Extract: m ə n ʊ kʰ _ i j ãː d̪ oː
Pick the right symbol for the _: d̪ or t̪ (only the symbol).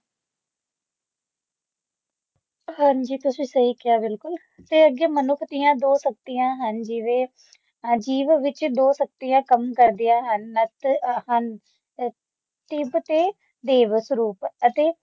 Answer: t̪